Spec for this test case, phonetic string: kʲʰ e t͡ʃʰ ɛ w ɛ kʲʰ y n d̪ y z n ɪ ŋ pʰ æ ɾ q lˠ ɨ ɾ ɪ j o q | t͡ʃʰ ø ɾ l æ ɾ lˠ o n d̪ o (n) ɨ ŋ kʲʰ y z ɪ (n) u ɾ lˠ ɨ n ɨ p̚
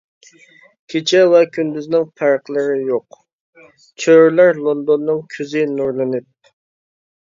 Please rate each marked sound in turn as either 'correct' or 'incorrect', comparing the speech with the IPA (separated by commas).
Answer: incorrect, correct